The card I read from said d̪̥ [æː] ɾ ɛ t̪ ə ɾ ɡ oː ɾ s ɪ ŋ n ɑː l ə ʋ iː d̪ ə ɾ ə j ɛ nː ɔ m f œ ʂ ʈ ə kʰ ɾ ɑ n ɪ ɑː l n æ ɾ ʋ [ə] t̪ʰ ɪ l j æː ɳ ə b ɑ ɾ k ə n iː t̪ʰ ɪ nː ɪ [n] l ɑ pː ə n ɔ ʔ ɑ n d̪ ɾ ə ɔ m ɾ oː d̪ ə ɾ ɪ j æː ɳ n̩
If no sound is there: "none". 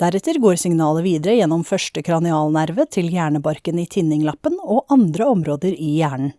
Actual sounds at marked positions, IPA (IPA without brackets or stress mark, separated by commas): æ, ə, ŋ